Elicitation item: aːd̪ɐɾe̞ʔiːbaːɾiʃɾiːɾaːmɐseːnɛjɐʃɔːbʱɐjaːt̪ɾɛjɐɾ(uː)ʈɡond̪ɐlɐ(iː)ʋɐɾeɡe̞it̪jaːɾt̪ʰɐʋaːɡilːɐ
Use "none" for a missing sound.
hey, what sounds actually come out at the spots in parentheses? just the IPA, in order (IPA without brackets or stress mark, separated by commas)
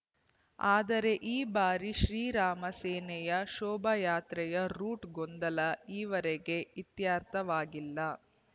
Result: uː, iː